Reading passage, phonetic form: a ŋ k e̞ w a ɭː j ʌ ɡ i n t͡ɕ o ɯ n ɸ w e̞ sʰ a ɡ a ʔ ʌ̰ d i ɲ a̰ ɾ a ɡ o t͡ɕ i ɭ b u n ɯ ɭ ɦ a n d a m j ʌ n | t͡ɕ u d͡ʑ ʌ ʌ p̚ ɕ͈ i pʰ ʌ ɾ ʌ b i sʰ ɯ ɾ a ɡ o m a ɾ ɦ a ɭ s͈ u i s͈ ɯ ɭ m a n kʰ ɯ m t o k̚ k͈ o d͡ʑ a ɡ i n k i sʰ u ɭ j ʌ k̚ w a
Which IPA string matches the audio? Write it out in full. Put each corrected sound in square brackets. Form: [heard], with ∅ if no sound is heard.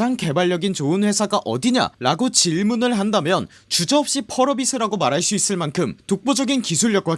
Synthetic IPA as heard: a ŋ k e̞ [b] a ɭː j ʌ ɡ i n t͡ɕ o ɯ n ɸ w e̞ sʰ a ɡ a ʔ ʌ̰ d i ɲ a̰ ɾ a ɡ o t͡ɕ i ɭ [m] u n ɯ ɭ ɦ a n d a m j ʌ n | t͡ɕ u d͡ʑ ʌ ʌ p̚ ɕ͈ i pʰ ʌ ɾ ʌ b i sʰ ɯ ɾ a ɡ o m a ɾ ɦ a ɭ s͈ u i s͈ ɯ ɭ m a n kʰ ɯ m t o k̚ [p͈] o d͡ʑ [ʌ] ɡ i n k i sʰ u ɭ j ʌ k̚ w a